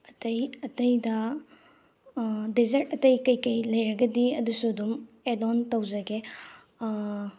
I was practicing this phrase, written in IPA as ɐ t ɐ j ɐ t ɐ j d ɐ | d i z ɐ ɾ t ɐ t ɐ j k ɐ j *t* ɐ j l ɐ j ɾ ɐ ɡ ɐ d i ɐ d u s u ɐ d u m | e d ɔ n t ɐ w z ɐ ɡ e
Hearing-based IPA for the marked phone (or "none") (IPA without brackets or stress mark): k